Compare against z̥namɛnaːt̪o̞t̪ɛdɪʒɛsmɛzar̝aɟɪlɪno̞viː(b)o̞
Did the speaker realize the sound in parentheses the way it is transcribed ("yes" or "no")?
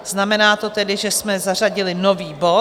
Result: yes